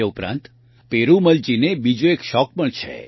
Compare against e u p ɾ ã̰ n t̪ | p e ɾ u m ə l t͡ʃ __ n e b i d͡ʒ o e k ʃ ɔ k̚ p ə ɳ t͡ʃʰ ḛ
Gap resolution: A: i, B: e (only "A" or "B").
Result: A